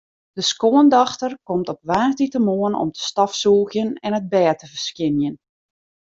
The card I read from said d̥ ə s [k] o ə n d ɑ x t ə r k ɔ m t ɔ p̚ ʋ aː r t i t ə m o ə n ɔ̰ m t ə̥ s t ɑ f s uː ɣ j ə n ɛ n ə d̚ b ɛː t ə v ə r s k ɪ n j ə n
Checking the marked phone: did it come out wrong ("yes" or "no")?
no